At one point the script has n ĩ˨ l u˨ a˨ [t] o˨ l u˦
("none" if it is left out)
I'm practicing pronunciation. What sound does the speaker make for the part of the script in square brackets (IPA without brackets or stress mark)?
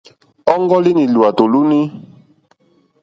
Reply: t